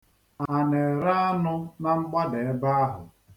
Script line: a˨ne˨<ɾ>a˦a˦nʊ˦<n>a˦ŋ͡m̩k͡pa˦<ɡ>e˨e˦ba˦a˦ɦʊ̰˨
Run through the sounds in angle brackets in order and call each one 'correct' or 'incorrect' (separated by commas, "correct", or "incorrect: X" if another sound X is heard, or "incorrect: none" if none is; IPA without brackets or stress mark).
correct, correct, incorrect: d